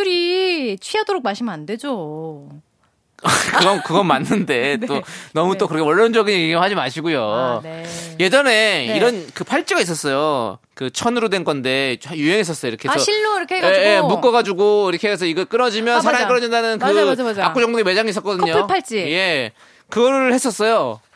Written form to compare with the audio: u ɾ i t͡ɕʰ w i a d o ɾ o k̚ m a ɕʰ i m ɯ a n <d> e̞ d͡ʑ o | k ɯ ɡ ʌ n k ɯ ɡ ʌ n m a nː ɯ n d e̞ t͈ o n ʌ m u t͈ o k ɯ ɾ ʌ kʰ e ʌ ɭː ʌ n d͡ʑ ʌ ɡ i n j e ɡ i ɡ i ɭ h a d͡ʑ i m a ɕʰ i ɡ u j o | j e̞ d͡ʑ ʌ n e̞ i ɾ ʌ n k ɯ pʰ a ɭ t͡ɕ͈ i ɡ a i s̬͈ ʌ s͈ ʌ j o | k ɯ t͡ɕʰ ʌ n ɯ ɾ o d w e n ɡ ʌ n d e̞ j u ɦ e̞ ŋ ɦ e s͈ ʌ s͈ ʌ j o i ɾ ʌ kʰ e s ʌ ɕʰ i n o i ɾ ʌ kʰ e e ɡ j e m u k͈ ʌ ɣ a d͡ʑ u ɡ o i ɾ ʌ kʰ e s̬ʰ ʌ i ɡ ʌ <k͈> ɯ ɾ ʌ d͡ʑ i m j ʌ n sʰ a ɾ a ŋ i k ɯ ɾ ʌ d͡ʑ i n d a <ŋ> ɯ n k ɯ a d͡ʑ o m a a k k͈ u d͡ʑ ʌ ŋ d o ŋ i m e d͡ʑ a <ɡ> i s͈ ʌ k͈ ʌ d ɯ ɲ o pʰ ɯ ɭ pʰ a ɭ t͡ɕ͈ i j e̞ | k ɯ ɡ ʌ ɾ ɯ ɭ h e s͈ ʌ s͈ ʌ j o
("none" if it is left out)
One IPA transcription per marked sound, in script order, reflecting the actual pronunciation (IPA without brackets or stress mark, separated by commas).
d, k͈, n, ŋ